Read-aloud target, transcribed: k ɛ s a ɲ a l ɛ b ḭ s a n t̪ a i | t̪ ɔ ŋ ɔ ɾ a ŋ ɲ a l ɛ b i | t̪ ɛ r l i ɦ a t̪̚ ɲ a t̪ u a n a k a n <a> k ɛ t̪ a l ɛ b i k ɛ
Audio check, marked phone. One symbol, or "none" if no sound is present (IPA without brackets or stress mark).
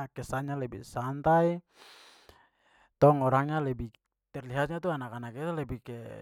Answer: a